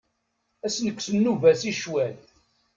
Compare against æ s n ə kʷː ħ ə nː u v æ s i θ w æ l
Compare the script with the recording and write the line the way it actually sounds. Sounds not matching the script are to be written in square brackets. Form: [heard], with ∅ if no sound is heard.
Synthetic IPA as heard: æ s n ə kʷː [s] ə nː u v æ s i [ʃ] w æ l

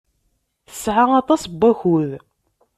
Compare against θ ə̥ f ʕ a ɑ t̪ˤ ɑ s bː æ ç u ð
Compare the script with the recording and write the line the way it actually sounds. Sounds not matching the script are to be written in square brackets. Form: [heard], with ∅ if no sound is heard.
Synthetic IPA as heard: θ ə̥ [s] ʕ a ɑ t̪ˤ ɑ s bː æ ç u ð

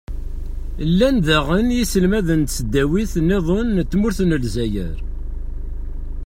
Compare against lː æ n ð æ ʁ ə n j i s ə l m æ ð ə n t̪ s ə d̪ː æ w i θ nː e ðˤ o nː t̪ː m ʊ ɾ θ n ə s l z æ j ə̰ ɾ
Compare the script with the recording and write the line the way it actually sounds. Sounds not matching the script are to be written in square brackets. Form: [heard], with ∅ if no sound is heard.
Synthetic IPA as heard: lː æ n ð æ ʁ ə n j i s ə l m æ ð ə n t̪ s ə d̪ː æ w i θ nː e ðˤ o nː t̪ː m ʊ ɾ θ n ə [∅] l z æ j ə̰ ɾ

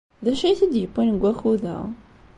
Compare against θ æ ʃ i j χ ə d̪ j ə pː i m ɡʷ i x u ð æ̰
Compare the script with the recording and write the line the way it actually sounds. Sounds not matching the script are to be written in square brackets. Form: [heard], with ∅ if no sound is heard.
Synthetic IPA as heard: [ð] æ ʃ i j [θ] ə d̪ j ə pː i [n] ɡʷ [æ] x u ð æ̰

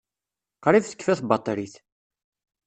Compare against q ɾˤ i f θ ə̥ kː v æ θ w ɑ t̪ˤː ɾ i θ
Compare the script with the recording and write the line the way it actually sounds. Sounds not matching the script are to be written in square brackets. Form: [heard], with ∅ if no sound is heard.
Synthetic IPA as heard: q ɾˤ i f θ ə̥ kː [f] æ θ [b] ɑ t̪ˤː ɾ i θ

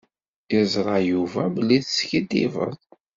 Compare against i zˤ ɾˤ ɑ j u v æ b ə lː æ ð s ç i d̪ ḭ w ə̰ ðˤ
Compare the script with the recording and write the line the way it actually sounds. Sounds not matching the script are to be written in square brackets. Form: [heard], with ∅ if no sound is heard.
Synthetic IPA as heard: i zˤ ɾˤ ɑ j u v æ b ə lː [i] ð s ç i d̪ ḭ [v] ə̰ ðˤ

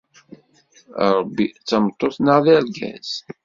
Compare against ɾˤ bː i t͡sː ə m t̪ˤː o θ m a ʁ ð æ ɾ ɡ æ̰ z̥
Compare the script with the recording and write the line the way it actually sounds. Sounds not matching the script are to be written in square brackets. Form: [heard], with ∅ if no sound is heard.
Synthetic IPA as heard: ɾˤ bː i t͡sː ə m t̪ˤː o θ [n] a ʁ ð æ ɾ ɡ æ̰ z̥

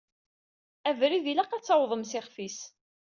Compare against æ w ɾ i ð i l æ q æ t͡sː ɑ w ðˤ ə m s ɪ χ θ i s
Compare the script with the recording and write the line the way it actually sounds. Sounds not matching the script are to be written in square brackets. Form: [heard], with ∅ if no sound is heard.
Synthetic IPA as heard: æ [v] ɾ i ð i l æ q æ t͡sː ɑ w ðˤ ə m s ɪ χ [f] i s

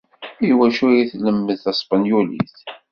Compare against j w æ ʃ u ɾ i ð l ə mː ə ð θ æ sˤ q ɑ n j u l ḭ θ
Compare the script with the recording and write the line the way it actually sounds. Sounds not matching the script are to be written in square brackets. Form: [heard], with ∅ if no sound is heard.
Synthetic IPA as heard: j w æ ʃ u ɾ i [θ] l ə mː ə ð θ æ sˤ [p] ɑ n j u l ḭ θ

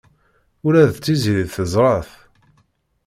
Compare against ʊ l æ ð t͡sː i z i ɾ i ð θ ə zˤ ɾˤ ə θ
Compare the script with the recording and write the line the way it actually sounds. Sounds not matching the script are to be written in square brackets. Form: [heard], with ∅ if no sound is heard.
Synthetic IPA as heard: ʊ [ɾ] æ ð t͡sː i z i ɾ i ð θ ə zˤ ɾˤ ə θ

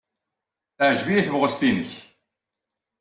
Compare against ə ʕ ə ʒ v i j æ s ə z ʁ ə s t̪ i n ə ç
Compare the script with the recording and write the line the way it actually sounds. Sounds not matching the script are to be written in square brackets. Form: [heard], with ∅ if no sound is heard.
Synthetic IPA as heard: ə ʕ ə ʒ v i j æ [θ] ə [v] ʁ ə s t̪ i n ə ç

